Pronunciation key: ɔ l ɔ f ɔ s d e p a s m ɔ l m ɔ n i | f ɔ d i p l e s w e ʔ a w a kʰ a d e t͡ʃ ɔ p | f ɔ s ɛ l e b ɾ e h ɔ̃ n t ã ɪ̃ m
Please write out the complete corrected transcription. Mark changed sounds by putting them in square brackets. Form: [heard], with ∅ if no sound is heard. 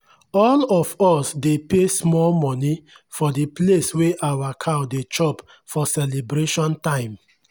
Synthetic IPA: ɔ l ɔ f ɔ s d e p [e] s m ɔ l m ɔ n i | f ɔ d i p l e s w e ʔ a w a kʰ a d e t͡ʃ ɔ p | f ɔ s ɛ l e b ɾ e [ʃ] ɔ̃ n t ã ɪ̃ m